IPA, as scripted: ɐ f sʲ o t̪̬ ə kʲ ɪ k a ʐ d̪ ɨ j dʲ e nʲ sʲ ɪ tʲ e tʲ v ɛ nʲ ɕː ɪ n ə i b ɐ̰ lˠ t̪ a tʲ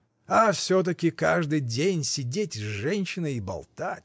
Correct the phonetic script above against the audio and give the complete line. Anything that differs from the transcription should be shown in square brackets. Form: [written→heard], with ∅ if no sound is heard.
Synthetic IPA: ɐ f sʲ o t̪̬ ə kʲ ɪ k a ʐ d̪ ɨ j dʲ e nʲ sʲ ɪ [tʲ→dʲ] e tʲ [v→ʐ] ɛ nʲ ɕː ɪ n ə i b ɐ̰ lˠ t̪ a tʲ